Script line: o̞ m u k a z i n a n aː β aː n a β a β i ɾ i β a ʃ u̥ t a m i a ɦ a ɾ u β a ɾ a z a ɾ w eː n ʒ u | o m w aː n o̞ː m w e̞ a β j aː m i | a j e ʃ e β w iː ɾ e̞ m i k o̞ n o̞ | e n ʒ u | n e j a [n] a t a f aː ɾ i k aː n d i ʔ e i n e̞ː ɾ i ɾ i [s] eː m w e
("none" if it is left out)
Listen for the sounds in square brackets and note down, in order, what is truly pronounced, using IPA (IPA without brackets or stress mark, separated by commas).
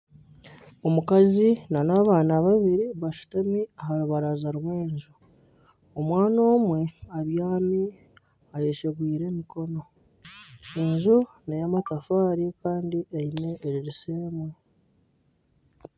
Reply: m, s